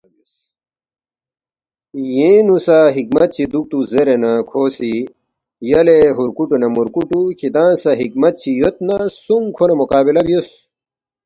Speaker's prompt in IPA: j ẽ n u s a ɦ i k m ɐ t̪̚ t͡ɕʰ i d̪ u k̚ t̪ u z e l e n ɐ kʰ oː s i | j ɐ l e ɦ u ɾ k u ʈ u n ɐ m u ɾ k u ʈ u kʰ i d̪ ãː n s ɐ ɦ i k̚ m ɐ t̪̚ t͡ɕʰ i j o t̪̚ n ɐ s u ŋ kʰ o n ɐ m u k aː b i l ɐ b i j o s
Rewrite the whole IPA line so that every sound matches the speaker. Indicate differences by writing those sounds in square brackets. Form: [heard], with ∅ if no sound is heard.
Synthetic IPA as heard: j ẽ n u s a ɦ i k m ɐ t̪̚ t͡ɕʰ i d̪ u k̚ t̪ u z e [ɾ] e n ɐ kʰ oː s i | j ɐ l e ɦ u ɾ k u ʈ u n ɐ m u ɾ k u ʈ u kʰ i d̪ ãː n s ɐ ɦ i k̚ m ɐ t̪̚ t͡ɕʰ i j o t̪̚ n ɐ s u ŋ kʰ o n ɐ m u k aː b i l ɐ b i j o s